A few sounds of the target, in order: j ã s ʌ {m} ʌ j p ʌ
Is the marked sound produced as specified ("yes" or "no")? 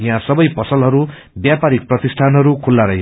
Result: no